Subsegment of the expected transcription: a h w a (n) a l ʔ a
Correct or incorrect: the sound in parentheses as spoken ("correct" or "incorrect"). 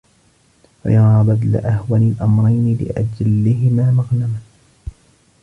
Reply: correct